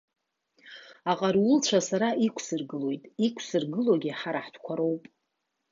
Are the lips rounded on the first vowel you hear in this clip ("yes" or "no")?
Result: no